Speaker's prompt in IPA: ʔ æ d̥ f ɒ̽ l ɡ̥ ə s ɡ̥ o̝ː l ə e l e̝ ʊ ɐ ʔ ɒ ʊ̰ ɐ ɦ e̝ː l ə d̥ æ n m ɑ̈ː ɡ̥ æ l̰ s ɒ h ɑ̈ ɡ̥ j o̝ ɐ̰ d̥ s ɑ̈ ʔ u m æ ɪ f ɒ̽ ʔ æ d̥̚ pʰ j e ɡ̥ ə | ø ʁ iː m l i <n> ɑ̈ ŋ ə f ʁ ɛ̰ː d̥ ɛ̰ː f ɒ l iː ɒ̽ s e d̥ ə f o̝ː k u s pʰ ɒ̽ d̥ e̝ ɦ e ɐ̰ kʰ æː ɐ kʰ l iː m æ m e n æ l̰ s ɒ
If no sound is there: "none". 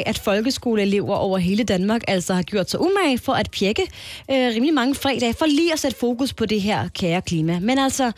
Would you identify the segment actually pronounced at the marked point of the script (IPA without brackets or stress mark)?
m